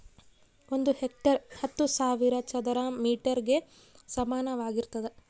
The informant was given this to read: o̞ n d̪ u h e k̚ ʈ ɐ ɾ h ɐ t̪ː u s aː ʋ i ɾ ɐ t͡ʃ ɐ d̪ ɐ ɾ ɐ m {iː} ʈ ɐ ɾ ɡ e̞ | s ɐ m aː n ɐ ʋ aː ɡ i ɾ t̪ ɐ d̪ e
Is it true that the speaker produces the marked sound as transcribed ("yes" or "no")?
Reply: yes